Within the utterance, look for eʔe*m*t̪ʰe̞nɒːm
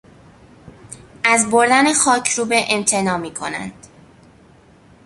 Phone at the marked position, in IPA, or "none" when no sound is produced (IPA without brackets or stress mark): m